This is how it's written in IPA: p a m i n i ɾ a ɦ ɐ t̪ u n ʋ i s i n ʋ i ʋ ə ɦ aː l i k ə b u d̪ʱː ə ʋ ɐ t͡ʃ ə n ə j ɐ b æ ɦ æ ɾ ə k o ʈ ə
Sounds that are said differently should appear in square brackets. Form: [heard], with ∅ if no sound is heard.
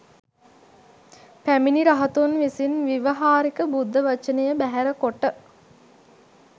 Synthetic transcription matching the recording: p [æ] m i n i ɾ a ɦ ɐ t̪ u n ʋ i s i n ʋ i ʋ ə ɦ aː [ɾ] i k ə b u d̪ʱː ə ʋ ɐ t͡ʃ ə n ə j [ə] b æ ɦ æ ɾ ə k o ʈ ə